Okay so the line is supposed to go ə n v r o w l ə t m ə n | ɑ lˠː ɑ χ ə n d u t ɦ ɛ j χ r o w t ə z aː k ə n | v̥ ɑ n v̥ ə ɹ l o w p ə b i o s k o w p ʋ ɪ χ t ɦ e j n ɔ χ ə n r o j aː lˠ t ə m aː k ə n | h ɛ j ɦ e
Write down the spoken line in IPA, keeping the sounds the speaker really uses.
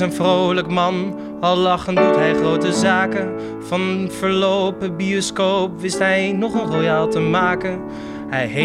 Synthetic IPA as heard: ə n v r o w l ə k m ɑ n | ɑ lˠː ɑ χ ə n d u t ɦ ɛ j χ r o w t ə z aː k ə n | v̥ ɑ n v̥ ə ɹ l o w p ə b i o s k o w p ʋ ɪ s t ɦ ɛ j n ɔ χ ə n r o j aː lˠ t ə m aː k ə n | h ɛ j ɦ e